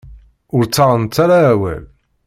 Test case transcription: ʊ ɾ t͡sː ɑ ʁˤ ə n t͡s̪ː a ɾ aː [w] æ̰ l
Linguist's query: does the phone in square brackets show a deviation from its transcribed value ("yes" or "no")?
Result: no